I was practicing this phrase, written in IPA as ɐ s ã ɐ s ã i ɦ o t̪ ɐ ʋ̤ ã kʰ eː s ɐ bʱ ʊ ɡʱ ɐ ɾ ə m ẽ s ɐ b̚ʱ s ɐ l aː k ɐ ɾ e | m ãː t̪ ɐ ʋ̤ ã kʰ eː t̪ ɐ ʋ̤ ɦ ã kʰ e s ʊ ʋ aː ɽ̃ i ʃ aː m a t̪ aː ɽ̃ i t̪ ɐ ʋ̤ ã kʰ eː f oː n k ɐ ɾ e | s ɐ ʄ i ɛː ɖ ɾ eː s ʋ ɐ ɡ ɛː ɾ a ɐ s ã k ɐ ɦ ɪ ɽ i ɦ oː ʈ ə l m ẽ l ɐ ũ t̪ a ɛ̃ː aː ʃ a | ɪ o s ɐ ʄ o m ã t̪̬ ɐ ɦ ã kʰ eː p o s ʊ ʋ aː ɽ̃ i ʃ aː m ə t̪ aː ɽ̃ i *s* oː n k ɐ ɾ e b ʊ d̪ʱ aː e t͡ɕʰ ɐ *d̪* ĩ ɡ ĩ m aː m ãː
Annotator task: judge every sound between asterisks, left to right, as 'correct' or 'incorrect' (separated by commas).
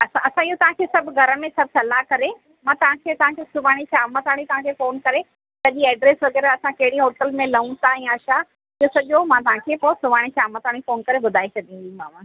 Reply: incorrect, correct